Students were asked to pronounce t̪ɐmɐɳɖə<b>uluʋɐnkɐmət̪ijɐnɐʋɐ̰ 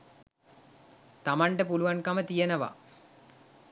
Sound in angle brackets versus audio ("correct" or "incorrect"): incorrect